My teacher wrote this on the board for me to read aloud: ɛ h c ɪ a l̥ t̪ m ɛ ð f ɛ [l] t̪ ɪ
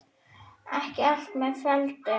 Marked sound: correct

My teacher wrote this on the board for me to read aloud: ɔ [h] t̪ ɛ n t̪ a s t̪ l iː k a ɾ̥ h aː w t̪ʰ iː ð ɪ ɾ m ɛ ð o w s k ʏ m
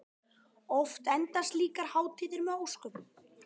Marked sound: incorrect: f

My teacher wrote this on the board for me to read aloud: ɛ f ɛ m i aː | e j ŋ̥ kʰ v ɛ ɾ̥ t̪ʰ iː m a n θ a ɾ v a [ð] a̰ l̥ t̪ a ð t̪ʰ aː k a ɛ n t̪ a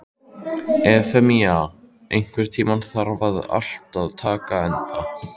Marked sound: correct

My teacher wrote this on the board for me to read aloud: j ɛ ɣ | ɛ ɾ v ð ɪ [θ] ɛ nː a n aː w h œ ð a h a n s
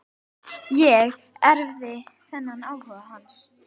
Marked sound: correct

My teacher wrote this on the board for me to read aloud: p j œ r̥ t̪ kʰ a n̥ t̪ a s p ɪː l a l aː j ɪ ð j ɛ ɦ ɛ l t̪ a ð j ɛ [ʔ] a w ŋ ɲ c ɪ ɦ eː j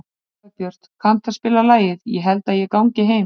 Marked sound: incorrect: k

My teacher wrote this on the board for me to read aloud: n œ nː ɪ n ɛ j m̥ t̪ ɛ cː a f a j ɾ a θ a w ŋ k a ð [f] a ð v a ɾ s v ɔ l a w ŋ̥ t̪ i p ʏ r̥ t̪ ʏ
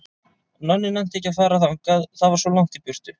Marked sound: incorrect: θ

